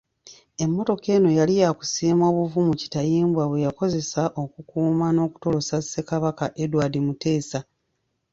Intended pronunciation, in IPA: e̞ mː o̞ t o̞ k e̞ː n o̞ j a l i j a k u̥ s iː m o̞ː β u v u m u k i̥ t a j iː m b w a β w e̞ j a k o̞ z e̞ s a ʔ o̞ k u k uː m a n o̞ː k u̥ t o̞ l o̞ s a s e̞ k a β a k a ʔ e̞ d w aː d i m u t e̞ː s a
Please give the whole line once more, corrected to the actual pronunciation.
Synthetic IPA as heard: e̞ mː o̞ t o̞ k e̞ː n o̞ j a l i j a k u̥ s iː m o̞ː β u v u m u c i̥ t a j iː m b w a β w e̞ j a k o̞ z e̞ s a ʔ o̞ k u k uː m a n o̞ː k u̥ t o̞ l o̞ s a s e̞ k a β a k a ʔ e̞ d w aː d i m u t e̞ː s a